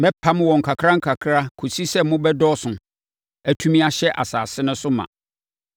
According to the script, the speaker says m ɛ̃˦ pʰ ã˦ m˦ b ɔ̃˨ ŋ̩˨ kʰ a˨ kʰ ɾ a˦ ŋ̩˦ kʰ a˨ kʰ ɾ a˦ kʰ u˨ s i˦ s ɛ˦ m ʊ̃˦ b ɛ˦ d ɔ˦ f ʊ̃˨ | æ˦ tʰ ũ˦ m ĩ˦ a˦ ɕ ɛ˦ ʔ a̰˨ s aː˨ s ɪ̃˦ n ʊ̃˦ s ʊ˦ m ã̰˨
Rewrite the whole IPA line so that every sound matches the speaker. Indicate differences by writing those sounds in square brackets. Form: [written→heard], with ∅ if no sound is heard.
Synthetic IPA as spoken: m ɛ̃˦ pʰ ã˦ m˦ [b→w] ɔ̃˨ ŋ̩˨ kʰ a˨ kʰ ɾ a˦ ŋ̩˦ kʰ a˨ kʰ ɾ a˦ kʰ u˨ s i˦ s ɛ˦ m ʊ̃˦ b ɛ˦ d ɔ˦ [f→s] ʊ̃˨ | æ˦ tʰ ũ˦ m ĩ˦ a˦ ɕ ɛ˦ ʔ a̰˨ s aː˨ s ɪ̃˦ n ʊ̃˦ s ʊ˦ m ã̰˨